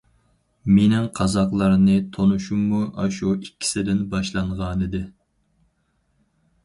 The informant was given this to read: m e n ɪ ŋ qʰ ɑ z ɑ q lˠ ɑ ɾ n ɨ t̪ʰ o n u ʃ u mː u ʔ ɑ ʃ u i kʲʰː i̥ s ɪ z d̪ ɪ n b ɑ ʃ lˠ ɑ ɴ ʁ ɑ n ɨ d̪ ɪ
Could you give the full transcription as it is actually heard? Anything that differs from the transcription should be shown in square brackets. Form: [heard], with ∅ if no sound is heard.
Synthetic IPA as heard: m e n ɪ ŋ qʰ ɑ z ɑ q lˠ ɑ ɾ n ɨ t̪ʰ o n u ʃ u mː u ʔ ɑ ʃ u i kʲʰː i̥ s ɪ [∅] d̪ ɪ n b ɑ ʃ lˠ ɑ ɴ ʁ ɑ n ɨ d̪ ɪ